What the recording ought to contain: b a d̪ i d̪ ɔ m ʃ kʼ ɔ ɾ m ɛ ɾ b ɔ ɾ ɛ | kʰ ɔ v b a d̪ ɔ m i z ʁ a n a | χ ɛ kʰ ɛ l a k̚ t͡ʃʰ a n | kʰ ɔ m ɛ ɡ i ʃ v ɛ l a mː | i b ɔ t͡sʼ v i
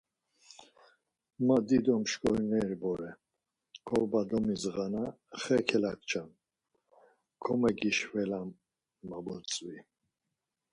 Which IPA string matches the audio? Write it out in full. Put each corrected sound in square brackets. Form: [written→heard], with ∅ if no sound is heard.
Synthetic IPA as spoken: [b→m] a d̪ i d̪ ɔ m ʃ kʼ ɔ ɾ [m→n] ɛ ɾ b ɔ ɾ ɛ | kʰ ɔ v b a d̪ ɔ m i z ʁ a n a | χ ɛ kʰ ɛ l a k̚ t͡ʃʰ a n | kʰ ɔ m ɛ ɡ i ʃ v ɛ l a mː | [i→a] b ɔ t͡sʼ v i